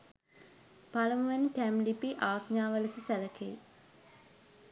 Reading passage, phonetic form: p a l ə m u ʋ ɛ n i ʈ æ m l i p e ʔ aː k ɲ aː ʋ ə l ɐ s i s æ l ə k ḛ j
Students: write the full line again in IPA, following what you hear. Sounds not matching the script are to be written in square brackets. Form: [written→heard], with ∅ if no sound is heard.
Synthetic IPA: p a l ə m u ʋ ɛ n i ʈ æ m l i p [e→i] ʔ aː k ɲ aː ʋ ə l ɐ s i s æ l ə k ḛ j